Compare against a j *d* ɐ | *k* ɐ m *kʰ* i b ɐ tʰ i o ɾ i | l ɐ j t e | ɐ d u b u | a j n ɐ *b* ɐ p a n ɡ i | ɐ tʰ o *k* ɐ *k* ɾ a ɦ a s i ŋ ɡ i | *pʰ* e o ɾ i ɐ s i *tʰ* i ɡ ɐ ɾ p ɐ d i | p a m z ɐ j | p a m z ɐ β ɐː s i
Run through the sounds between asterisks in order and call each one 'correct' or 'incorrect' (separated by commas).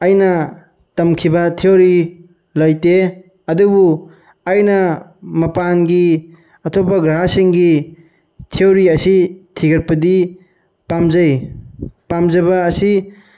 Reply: incorrect, incorrect, correct, incorrect, incorrect, incorrect, incorrect, correct